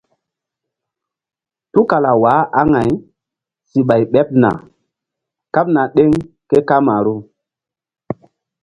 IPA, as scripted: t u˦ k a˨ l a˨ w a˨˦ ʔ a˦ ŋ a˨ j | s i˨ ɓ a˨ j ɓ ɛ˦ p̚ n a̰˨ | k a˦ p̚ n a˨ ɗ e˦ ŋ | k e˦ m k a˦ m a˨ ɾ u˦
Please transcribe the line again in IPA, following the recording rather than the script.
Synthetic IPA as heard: t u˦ k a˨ l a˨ w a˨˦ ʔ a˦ ŋ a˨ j | s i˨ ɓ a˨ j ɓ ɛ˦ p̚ n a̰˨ | k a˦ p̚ n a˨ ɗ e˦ ŋ | k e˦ k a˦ m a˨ ɾ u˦

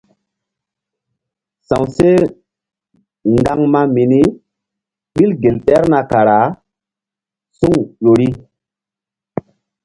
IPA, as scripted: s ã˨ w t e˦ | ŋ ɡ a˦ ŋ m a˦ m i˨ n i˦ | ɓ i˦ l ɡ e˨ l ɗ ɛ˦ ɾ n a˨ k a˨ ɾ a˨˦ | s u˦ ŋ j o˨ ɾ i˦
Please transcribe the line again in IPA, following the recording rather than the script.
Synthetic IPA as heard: s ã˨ w s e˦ | ŋ ɡ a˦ ŋ m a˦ m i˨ n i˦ | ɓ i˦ l ɡ e˨ l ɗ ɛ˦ ɾ n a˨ k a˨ ɾ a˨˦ | s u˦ ŋ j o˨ ɾ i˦

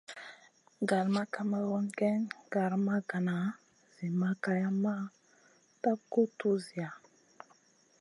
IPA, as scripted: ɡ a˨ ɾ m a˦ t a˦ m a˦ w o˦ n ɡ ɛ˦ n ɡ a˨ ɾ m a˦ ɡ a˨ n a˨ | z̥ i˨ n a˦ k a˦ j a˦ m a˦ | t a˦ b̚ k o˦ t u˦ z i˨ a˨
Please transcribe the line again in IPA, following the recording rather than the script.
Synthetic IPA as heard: ɡ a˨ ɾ m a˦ k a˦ m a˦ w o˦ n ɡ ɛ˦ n ɡ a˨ ɾ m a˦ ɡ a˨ n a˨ | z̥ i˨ m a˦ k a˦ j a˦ m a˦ | t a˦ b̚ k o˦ t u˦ z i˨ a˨

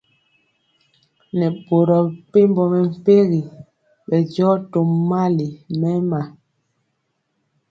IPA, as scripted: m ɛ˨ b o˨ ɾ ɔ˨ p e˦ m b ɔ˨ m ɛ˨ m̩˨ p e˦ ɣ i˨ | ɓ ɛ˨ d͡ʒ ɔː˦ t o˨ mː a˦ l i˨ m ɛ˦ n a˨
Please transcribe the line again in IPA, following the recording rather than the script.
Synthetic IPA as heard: n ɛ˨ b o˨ ɾ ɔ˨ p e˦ m b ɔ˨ m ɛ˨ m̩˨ p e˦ ɣ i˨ | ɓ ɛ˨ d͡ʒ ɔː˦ t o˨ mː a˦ l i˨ m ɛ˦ m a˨

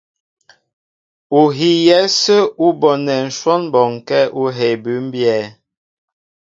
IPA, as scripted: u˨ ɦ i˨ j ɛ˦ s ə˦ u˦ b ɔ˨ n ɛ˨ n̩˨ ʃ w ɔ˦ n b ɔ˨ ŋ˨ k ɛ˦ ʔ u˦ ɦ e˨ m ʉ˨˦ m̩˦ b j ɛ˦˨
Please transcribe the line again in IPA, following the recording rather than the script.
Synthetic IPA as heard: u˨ ɦ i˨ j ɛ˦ s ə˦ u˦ b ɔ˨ n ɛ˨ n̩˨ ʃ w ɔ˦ n b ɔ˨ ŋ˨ k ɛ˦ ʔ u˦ ɦ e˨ b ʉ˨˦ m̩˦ b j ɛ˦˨

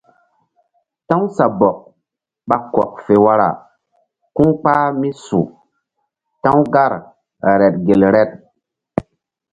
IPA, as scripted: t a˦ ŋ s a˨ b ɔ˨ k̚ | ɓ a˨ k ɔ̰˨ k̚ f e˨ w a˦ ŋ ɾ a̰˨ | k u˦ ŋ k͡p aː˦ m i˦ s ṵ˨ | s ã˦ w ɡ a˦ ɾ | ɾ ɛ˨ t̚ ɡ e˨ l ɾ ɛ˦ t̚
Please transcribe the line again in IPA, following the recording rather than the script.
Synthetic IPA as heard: t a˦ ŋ s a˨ b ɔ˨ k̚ | ɓ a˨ k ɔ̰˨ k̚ f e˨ w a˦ ɾ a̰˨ | k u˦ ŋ k͡p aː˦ m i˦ s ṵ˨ | t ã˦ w ɡ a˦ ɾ | ɾ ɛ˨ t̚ ɡ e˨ l ɾ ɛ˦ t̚

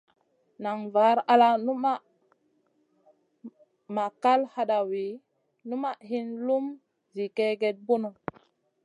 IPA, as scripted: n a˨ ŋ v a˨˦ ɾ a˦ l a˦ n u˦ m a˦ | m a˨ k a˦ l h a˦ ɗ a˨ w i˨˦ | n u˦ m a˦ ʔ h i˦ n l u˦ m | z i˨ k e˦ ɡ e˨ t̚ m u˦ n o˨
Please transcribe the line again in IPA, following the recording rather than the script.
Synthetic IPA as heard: n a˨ ŋ v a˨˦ ɾ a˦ l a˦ n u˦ m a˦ | m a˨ k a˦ l h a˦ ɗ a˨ w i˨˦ | n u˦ m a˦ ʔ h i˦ n l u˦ m | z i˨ k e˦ ɡ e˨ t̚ b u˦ n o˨

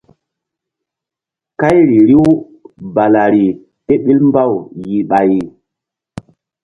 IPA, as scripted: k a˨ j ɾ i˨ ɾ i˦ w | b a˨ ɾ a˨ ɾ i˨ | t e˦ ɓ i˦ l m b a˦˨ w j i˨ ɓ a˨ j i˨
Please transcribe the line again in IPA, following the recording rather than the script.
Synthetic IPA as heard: k a˦ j ɾ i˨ ɾ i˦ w | b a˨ l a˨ ɾ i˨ | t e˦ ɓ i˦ l m b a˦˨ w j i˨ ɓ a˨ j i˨

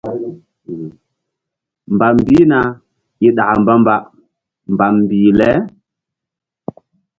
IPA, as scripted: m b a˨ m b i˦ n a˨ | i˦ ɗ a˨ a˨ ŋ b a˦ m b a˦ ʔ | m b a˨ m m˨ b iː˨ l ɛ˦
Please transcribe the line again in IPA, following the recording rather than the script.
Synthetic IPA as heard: m b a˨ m b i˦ n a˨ | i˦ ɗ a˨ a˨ m b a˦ m b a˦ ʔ | m b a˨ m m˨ b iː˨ l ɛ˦

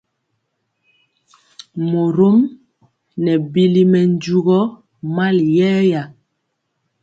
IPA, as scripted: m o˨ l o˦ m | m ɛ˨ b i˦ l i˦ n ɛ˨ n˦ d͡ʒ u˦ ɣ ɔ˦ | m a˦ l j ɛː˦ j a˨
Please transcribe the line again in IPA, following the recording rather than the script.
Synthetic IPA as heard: m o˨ ɾ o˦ m | n ɛ˨ b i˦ l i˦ m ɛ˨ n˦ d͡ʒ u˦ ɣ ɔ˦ | m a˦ l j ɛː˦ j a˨

